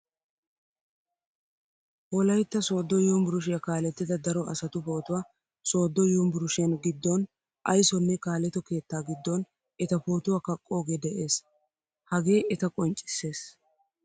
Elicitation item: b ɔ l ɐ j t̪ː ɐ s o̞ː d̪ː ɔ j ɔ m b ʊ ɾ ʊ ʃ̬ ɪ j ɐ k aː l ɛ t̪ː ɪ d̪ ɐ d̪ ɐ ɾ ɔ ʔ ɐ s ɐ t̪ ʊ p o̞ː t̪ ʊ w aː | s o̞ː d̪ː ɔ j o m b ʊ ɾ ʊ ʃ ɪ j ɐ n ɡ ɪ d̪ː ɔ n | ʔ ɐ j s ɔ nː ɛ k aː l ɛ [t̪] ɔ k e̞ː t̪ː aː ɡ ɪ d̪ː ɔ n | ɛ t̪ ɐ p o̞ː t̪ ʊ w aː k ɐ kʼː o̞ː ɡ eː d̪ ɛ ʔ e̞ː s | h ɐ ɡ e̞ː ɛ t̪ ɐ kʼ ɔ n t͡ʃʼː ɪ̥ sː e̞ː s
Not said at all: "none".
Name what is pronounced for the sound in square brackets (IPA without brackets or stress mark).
t̪